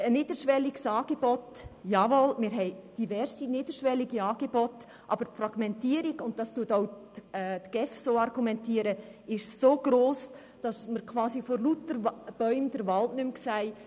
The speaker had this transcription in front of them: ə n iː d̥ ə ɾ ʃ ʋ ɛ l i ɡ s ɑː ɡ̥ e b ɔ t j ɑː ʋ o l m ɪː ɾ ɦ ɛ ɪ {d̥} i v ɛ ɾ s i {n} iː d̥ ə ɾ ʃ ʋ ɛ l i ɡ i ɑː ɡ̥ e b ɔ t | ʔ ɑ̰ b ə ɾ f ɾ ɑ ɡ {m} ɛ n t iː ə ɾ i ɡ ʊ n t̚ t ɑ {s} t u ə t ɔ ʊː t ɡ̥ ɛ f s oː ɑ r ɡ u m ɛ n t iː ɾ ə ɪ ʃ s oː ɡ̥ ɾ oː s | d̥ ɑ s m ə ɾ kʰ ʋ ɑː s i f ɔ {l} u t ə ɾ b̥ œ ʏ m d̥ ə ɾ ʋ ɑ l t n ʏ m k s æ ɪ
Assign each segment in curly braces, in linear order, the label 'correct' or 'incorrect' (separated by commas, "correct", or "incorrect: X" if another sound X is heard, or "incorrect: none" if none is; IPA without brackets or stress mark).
correct, correct, correct, correct, correct